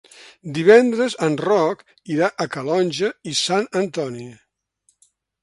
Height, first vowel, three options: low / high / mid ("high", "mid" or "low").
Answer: high